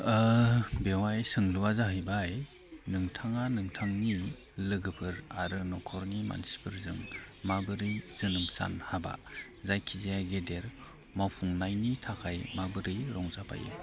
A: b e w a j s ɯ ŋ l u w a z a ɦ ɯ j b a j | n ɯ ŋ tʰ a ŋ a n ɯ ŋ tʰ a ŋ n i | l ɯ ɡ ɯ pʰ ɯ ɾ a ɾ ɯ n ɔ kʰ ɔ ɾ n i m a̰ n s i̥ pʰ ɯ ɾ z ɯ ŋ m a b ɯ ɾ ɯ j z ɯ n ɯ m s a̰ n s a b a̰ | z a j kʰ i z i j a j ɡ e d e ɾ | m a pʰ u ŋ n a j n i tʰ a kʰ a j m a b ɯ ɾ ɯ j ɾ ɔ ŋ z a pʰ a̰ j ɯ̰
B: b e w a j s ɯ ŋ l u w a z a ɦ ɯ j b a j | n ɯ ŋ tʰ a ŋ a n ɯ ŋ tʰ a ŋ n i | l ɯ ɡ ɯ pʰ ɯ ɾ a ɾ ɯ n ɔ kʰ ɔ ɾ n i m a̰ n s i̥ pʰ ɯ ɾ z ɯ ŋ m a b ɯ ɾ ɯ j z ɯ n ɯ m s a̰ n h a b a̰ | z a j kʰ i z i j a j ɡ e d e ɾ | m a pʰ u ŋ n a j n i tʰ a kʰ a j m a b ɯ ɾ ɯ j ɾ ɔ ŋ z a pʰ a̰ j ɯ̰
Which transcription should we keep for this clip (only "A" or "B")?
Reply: B